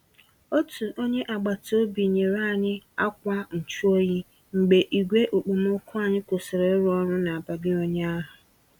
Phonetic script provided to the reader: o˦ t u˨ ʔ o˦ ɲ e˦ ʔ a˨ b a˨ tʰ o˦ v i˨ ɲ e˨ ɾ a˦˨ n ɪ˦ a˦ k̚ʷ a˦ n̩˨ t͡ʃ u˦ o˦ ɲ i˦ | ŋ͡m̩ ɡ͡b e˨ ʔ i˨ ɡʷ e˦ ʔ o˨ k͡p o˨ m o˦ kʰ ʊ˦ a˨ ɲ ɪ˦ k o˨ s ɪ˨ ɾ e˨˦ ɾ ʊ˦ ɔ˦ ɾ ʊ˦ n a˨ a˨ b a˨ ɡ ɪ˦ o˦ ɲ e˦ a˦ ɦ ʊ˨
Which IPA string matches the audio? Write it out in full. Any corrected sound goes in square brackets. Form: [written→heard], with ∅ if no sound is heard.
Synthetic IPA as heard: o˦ t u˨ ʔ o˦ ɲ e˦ ʔ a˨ [b→ɡ͡b] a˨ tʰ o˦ [v→b] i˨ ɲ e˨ ɾ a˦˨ [n→ɲ] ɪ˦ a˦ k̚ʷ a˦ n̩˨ t͡ʃ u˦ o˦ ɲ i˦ | ŋ͡m̩ ɡ͡b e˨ ʔ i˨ ɡʷ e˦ ʔ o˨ k͡p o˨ m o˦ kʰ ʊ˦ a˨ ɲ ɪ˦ k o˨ s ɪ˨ ɾ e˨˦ ɾ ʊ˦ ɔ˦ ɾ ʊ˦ n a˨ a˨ b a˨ ɡ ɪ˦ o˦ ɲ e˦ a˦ ɦ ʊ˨